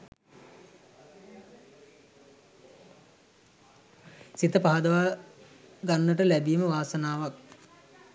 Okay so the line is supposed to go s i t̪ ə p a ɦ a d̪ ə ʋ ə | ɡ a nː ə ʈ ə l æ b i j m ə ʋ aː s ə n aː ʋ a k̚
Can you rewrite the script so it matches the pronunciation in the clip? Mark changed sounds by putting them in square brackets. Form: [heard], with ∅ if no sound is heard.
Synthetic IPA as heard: s i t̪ ə p a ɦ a d̪ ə ʋ [a] | ɡ a nː ə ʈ ə l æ b i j m ə ʋ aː s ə n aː ʋ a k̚